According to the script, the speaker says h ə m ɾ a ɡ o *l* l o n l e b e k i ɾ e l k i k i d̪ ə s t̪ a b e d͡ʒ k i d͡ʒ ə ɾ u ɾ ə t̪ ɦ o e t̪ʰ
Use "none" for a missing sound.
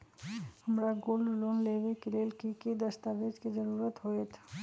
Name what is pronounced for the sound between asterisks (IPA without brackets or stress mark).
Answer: l